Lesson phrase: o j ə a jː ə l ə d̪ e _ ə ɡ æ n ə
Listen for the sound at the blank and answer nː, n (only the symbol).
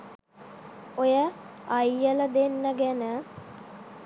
nː